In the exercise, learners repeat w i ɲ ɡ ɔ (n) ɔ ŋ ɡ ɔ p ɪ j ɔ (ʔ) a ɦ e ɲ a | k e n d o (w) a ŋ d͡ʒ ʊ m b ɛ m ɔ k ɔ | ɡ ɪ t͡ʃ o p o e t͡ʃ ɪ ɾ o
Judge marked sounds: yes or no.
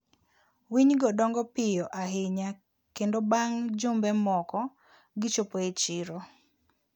no, yes, no

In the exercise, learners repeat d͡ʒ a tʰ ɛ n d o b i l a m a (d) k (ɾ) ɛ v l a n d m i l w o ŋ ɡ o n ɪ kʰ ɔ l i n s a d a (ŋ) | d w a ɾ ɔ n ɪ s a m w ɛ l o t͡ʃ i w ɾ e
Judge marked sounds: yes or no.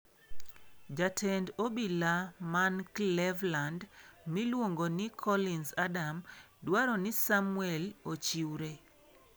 no, no, no

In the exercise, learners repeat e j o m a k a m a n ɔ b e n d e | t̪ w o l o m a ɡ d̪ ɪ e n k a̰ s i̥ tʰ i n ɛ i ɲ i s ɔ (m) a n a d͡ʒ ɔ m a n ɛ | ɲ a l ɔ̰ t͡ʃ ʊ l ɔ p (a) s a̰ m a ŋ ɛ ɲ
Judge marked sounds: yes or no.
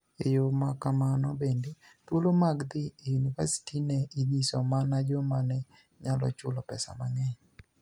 yes, no

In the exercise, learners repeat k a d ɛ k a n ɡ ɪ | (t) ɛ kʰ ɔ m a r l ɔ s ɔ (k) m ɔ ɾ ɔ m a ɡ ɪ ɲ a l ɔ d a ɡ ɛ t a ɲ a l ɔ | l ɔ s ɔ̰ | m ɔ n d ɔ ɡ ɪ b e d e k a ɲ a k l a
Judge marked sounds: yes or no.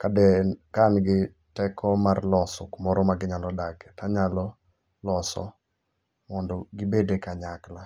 yes, yes

